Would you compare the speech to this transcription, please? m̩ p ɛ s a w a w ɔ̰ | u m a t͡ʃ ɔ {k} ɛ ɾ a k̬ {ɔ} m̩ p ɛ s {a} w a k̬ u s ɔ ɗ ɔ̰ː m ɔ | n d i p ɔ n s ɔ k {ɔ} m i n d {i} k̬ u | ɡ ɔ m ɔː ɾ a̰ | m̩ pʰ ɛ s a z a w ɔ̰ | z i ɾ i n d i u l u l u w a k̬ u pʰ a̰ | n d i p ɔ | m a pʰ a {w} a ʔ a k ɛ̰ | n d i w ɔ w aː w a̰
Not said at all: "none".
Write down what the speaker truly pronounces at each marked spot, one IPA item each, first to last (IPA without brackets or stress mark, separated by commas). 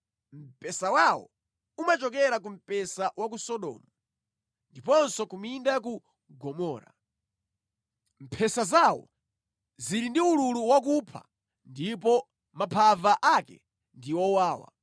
k, u, a, u, a, v